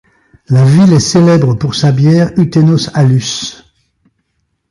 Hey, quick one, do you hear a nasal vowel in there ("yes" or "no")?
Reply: no